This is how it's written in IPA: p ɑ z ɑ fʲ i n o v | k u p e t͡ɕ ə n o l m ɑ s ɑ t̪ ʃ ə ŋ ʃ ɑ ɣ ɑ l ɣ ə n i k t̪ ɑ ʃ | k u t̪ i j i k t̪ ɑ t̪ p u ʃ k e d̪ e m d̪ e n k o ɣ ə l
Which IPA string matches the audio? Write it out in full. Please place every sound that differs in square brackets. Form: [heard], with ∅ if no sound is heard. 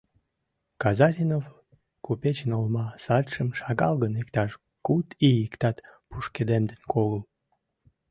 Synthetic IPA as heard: [k] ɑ z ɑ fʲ i n o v | k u p e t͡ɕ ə n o l m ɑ s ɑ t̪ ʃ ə [m] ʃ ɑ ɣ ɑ l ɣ ə n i k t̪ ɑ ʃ | k u t̪ i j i k t̪ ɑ t̪ p u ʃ k e d̪ e m d̪ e n k o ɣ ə l